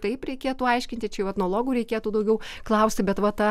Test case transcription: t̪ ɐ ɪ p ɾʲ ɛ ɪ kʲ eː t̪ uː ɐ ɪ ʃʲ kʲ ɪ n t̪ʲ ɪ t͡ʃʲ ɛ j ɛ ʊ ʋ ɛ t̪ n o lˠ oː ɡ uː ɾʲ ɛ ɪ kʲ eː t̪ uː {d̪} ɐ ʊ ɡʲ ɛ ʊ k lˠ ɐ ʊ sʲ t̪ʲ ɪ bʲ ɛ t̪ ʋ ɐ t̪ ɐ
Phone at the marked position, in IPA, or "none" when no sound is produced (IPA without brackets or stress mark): d̪